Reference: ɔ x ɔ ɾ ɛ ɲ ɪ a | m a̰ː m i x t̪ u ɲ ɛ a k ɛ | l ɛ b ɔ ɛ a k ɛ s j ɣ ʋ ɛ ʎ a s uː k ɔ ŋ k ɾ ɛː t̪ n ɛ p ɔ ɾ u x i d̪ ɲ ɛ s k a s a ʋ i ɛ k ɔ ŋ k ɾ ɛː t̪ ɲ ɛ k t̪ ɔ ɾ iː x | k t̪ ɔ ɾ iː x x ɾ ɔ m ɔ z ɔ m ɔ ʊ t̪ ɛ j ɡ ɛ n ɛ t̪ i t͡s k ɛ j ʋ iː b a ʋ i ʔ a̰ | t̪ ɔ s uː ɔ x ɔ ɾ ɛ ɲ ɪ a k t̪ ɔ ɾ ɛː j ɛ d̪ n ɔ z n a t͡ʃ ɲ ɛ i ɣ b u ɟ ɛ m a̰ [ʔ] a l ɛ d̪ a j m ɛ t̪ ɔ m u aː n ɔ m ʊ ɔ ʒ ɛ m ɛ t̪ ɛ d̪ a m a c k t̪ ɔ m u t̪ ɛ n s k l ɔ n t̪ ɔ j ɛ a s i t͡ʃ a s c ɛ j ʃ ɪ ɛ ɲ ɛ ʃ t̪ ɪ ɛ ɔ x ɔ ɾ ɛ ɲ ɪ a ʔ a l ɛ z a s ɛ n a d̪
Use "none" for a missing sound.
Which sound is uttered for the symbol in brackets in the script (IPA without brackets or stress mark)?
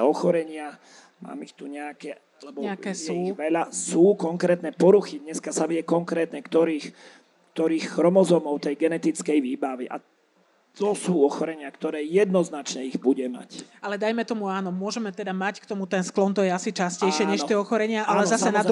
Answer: c